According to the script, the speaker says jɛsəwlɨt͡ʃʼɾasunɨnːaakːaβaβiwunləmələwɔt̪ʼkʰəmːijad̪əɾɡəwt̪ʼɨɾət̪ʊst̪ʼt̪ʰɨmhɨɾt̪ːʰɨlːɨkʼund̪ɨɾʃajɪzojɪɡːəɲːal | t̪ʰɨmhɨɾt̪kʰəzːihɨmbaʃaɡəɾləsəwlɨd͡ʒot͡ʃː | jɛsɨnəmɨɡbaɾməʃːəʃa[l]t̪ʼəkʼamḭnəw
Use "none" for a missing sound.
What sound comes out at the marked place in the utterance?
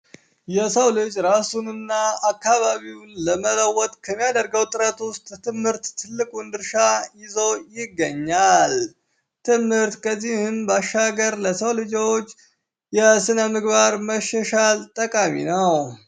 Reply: l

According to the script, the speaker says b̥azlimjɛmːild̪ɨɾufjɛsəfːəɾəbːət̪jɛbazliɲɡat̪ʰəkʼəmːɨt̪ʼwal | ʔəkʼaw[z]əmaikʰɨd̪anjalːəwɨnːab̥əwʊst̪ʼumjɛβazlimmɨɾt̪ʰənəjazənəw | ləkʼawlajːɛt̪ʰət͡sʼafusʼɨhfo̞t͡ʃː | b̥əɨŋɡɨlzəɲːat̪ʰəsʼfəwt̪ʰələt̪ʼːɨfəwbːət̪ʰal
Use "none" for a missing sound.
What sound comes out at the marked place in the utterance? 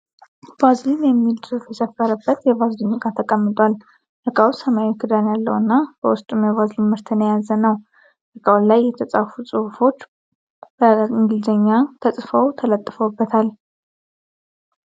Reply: s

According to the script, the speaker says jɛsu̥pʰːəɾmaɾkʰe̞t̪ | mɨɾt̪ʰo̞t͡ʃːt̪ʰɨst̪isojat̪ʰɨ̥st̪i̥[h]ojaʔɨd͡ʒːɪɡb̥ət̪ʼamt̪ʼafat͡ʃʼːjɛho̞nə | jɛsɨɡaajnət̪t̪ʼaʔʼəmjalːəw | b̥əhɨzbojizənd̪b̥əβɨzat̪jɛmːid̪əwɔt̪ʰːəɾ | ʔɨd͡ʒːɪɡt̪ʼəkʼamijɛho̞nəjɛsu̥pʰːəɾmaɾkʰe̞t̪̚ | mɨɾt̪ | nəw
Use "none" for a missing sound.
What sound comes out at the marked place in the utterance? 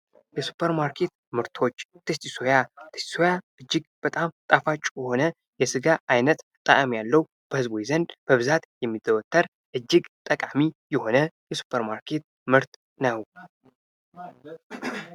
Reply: s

